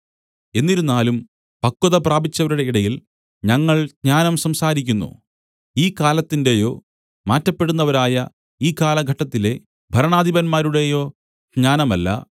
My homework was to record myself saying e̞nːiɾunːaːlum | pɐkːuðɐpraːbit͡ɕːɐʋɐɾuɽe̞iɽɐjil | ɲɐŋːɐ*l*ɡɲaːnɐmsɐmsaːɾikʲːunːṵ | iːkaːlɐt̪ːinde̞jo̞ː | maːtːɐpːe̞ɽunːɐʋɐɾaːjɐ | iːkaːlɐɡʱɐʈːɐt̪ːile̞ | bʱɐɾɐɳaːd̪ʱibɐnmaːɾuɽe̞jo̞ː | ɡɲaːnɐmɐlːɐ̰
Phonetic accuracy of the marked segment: incorrect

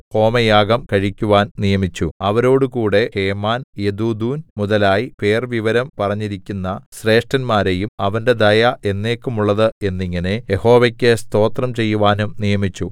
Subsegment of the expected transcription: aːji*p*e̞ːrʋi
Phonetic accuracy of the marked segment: correct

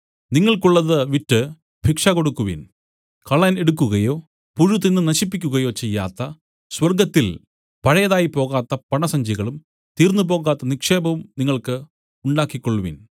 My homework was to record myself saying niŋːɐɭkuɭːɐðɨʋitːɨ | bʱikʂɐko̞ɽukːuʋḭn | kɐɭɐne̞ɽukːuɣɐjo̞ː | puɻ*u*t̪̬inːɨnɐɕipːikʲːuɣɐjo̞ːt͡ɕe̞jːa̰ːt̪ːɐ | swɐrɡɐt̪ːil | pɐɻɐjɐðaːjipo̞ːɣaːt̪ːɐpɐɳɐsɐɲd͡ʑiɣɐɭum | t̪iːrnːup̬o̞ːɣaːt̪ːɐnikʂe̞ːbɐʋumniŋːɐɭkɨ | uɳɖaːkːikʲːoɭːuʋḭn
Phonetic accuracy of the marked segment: correct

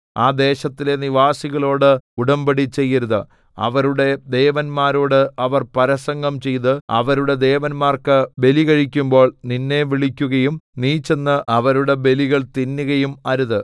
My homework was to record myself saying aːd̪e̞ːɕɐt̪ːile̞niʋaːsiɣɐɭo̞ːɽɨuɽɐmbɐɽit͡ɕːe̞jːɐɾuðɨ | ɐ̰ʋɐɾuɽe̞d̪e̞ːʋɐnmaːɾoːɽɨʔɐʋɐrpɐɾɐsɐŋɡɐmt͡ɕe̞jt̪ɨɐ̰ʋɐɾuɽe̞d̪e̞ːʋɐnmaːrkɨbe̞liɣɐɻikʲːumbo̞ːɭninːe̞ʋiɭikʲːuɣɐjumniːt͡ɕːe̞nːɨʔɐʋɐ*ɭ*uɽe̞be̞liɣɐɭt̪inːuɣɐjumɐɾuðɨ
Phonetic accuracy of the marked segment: incorrect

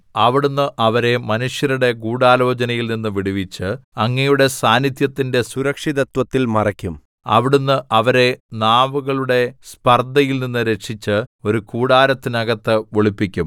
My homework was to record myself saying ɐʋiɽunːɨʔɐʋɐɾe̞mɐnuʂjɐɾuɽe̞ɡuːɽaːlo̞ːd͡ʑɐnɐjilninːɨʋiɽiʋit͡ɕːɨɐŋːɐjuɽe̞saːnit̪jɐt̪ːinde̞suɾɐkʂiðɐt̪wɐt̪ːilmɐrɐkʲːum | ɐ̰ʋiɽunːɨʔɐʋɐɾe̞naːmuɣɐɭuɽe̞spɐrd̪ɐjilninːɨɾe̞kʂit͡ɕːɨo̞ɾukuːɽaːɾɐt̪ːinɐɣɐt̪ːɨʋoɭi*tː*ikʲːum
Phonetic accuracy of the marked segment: incorrect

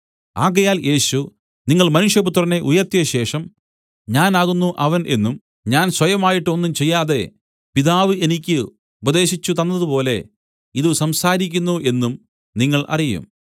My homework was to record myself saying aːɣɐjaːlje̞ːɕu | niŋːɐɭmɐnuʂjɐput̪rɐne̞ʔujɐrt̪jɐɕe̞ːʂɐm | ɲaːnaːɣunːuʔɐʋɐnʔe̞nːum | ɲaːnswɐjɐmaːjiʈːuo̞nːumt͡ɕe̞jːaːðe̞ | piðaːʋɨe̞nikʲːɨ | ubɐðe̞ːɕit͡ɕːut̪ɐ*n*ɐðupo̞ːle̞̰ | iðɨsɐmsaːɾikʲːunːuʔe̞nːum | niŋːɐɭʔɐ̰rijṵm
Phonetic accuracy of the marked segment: incorrect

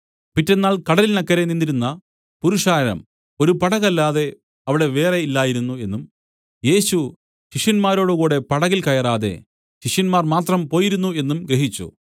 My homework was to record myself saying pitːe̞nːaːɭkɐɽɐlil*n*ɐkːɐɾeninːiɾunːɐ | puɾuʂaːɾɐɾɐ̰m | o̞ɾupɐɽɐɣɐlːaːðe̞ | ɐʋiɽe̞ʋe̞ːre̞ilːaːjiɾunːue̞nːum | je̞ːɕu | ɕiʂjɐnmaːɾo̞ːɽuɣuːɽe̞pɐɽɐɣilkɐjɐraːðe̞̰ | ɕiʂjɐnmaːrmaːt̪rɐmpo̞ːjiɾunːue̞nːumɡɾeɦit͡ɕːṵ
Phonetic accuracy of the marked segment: correct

